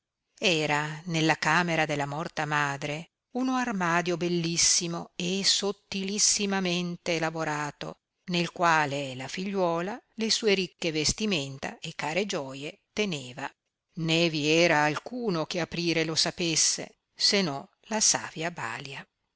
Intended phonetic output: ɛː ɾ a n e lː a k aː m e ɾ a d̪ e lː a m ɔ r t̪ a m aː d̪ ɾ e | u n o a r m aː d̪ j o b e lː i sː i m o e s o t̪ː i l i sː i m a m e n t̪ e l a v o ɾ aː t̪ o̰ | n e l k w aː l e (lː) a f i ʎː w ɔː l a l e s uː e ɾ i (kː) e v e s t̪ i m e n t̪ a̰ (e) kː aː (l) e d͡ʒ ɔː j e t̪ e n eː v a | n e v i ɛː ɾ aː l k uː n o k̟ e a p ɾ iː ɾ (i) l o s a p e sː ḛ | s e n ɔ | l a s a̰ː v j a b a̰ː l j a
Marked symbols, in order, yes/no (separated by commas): no, yes, yes, no, no